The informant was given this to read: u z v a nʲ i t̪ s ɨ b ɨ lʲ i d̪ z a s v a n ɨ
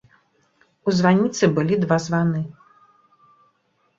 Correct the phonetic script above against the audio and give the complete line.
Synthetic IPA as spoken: u z v a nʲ i t̪ s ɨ b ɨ lʲ i d̪ v a z v a n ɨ

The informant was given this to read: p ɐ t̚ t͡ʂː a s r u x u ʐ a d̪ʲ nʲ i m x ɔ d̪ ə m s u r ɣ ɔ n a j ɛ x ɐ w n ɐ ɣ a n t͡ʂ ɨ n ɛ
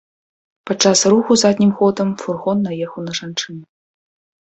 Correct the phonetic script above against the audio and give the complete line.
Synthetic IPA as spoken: p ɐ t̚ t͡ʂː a s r u x u z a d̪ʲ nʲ i m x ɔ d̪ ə m f u r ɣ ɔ nː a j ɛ x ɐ w n ɐ ʐ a n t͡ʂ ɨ n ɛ

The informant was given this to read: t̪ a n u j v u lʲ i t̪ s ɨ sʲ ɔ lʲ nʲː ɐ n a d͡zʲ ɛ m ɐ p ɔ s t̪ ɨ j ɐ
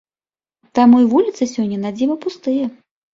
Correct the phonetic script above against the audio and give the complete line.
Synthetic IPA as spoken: t̪ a m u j v u lʲ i t̪ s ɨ sʲ ɔ nʲː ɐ n a d͡zʲ i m ɐ p u s t̪ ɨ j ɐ

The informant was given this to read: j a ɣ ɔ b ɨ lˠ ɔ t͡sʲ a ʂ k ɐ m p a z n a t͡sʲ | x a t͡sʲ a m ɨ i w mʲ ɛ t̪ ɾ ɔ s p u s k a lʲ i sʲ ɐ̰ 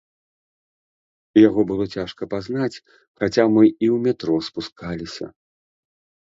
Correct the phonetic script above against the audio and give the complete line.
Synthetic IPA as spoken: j a ɣ ɔ b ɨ lˠ ɔ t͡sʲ a ʂ k ɐ p a z n a t͡sʲ | x a t͡sʲ a m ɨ i w mʲ ɛ t̪ ɾ ɔ s p u s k a lʲ i sʲ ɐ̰

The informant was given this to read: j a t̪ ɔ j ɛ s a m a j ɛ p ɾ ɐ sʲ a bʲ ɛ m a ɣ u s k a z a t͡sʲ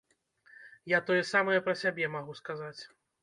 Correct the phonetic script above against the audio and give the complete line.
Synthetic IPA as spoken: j a t̪ ɔ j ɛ s a m ɐ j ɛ p ɾ ɐ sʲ a bʲ ɛ m a ɣ u s k a z a t͡sʲ

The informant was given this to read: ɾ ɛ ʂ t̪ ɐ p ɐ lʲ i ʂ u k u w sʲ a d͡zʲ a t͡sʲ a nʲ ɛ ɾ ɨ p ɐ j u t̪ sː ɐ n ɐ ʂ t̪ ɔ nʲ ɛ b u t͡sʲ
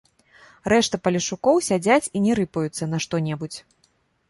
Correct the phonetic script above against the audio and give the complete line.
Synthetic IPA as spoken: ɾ ɛ ʂ t̪ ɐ p ɐ lʲ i ʂ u k ɔ w sʲ a d͡zʲ a t͡sʲ i nʲ ɛ ɾ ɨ p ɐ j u t̪ sː ɐ n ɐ ʂ t̪ ɔ nʲ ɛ b u t͡sʲ

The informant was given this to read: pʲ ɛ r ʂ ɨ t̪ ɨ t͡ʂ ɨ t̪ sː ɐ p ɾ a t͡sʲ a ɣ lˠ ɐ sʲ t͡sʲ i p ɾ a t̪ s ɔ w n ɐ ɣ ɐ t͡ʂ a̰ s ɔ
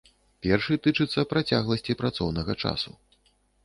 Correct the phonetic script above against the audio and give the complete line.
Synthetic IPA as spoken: pʲ ɛ r ʂ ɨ t̪ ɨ t͡ʂ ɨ t̪ sː ɐ p ɾ a t͡sʲ a ɣ lˠ ɐ sʲ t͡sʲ i p ɾ a t̪ s ɔ w n ɐ ɣ ɐ t͡ʂ a̰ s u

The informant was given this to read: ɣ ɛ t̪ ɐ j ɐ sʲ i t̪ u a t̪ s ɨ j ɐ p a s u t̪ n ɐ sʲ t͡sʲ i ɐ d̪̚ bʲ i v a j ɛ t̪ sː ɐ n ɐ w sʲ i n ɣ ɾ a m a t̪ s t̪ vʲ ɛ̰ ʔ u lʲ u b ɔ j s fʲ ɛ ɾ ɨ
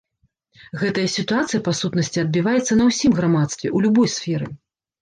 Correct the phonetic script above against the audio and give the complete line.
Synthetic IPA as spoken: ɣ ɛ t̪ ɐ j ɐ sʲ i t̪ u a t̪ s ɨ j ɐ p a s u t̪ n ɐ sʲ t͡sʲ i ɐ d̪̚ bʲ i v a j ɛ t̪ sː ɐ n ɐ w sʲ i m ɣ ɾ a m a t̪ s t̪ vʲ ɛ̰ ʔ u lʲ u b ɔ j s fʲ ɛ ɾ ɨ

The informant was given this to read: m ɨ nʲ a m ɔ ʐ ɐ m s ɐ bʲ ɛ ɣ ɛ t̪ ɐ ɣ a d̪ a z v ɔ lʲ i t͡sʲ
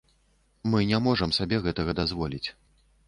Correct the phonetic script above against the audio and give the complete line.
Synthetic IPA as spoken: m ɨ nʲ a m ɔ ʐ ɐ m s a bʲ ɛ ɣ ɛ t̪ ɐ ɣ ɐ d̪ a z v ɔ lʲ i t͡sʲ

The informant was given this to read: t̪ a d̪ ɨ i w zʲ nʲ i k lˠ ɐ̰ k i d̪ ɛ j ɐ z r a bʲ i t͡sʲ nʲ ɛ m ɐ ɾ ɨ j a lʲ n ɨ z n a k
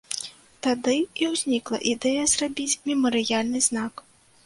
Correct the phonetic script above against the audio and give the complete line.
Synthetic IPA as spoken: t̪ a d̪ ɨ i w zʲ nʲ i k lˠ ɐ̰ ʔ i d̪ ɛ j ɐ z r a bʲ i t͡sʲ mʲ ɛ m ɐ ɾ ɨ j a lʲ n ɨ z n a k

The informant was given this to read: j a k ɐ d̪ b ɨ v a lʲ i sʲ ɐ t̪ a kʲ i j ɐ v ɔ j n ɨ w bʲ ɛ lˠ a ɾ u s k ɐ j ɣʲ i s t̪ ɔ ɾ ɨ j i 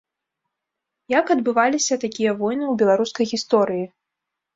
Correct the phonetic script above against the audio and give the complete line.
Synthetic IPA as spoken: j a k ɐ d̪ b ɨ v a lʲ i sʲ ɐ t̪ a kʲ i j ɐ v ɔ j n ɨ w bʲ ɛ lˠ a ɾ u s k ɐ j ɣʲ i s t̪ ɔ ɾ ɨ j i

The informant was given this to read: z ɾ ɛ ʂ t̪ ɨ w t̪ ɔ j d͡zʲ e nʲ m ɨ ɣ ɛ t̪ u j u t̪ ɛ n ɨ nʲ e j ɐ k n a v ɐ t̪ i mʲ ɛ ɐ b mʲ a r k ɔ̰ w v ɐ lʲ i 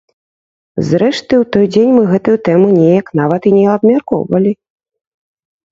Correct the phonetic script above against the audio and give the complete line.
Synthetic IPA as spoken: z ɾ ɛ ʂ t̪ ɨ w t̪ ɔ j d͡zʲ e nʲ m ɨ ɣ ɛ t̪ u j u t̪ ɛ m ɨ nʲ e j ɐ k n a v ɐ t̪ i nʲ ɛ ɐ b mʲ a r k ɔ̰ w v ɐ lʲ i

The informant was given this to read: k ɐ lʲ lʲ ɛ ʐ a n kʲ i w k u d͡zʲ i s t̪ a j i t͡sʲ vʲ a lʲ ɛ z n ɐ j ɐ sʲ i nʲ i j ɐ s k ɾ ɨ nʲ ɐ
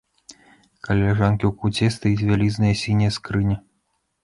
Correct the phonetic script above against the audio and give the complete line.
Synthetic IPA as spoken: k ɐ lʲ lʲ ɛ ʐ a n kʲ i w k u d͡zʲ ɛ s t̪ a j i t͡sʲ vʲ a lʲ i z n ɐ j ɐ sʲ i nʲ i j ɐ s k ɾ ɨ nʲ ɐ

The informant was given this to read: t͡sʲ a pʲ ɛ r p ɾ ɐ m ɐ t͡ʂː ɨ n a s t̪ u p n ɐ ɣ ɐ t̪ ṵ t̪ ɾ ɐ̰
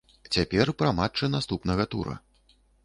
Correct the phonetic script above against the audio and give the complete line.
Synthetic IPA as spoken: t͡sʲ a pʲ ɛ r p ɾ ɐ m a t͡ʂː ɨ n a s t̪ u p n ɐ ɣ ɐ t̪ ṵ ɾ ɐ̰

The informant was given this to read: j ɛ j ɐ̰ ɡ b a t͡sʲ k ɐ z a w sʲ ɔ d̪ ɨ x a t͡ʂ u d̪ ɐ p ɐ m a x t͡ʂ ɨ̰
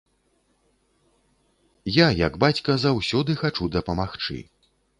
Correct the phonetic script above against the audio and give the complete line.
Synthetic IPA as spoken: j a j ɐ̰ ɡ b a t͡sʲ k ɐ z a w sʲ ɔ d̪ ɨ x a t͡ʂ u d̪ ɐ p ɐ m a x t͡ʂ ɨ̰

